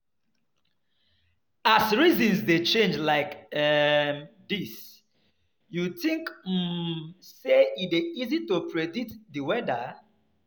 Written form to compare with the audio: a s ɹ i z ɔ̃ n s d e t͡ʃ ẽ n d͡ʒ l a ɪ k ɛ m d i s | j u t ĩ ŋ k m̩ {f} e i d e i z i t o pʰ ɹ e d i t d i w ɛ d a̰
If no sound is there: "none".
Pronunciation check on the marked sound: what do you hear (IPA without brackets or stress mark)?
s